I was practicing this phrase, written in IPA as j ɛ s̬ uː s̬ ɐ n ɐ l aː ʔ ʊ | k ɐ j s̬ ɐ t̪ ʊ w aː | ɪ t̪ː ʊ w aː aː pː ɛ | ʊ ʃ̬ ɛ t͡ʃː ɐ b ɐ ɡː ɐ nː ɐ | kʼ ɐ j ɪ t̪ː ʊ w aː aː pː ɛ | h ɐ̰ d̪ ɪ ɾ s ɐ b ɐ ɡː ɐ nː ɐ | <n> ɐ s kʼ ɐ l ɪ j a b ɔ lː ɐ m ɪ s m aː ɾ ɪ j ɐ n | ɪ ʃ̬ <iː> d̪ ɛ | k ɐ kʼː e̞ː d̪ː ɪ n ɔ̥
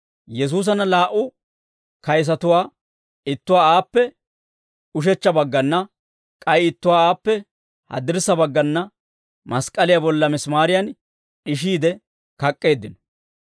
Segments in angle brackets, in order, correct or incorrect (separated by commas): incorrect, correct